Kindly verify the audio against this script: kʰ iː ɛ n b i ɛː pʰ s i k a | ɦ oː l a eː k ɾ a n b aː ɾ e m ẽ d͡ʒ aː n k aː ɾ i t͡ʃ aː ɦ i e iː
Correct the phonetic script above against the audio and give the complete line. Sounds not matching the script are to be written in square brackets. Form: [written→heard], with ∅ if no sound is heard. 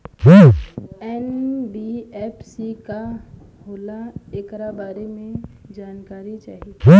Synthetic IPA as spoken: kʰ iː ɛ n b i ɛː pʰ s i k a | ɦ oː l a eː k ɾ a [n→∅] b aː ɾ e m ẽ d͡ʒ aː n k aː ɾ i t͡ʃ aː ɦ i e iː